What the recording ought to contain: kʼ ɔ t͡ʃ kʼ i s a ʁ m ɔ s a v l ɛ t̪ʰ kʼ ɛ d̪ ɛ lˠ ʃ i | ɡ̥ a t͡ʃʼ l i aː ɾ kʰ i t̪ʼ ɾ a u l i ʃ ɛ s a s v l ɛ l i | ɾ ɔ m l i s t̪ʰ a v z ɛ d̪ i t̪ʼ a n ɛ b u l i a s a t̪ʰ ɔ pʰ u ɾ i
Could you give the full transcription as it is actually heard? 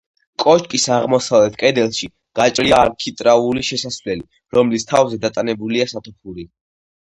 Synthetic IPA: kʼ ɔ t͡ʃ kʼ i s a ʁ m ɔ s a v l ɛ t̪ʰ kʼ ɛ d̪ ɛ lˠ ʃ i | ɡ̥ a t͡ʃʼ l i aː ɾ kʰ i t̪ʼ ɾ a u l i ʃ ɛ s a s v l ɛ l i | ɾ ɔ m l i s t̪ʰ a v z ɛ d̪ a t̪ʼ a n ɛ b u l i a s a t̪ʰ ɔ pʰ u ɾ i